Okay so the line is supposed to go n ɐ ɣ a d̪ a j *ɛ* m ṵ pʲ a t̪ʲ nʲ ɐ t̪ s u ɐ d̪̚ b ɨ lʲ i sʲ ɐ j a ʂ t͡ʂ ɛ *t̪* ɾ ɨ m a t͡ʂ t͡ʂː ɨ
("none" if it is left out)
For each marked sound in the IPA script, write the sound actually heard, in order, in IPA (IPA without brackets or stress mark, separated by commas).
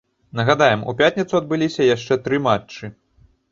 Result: ɛ, t̪